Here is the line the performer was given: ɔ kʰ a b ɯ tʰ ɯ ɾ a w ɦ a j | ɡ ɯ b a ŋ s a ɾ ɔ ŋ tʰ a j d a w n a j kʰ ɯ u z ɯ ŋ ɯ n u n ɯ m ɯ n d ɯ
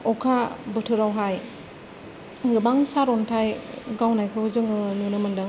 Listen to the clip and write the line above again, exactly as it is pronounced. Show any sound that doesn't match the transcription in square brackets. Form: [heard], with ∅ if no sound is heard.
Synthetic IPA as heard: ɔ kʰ a b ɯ tʰ ɯ ɾ a w ɦ a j | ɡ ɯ b a ŋ s a ɾ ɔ [n] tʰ a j [ɡ] a w n a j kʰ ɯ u z ɯ ŋ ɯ n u n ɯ m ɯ n d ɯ